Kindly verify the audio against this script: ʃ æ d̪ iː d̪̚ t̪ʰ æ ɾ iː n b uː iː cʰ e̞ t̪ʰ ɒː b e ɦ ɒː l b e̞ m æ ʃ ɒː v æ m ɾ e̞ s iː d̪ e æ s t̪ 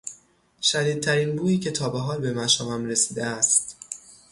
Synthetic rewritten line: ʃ æ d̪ iː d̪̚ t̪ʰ æ ɾ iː n b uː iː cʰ e̞ t̪ʰ ɒː b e ɦ ɒː l b e̞ m æ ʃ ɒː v æ m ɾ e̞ s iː d̪ e æ s t̪